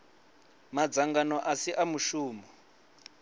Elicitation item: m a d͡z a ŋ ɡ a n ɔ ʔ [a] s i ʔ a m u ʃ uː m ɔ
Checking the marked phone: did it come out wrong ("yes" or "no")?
no